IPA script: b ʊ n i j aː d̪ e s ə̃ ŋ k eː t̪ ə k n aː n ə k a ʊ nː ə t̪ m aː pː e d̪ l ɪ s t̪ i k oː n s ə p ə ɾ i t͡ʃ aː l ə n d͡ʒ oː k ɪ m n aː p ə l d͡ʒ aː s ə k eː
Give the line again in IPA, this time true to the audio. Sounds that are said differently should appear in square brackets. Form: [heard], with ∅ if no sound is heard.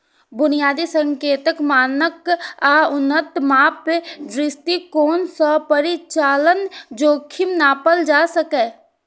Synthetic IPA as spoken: b ʊ n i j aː d̪ [i] s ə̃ ŋ k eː t̪ ə k [m] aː n ə k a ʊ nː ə t̪ m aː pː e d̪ [ɾ] ɪ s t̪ i k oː n s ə p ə ɾ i t͡ʃ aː l ə n d͡ʒ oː [kʰ] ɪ m n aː p ə l d͡ʒ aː s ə k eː